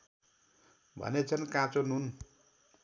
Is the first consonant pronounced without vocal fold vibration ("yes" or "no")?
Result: no